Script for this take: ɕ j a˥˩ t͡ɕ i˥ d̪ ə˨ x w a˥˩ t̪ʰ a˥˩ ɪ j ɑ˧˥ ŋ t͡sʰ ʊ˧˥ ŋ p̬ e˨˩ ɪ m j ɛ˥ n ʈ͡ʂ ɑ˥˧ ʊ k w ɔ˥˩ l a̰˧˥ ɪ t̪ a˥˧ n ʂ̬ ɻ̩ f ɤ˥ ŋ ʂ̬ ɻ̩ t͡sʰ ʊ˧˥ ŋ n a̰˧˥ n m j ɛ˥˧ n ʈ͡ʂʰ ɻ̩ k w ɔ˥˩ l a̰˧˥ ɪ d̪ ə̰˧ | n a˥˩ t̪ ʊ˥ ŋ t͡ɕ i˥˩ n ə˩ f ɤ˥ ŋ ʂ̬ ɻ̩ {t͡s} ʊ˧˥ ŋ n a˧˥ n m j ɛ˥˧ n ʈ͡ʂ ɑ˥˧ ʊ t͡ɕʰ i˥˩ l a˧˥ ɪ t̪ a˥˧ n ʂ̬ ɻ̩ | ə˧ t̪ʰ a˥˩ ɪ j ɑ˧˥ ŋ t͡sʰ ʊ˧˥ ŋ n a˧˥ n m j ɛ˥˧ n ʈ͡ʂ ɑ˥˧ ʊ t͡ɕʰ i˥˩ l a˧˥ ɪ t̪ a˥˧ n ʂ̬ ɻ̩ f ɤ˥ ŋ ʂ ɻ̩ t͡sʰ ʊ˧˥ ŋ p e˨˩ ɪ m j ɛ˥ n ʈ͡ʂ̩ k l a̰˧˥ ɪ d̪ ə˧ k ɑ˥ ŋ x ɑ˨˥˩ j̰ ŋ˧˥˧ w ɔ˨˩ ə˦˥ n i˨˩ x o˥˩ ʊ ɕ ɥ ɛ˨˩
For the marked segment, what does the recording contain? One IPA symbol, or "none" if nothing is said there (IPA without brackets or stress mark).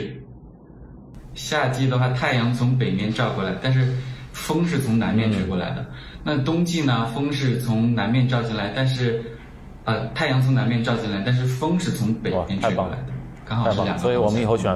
t͡sʰ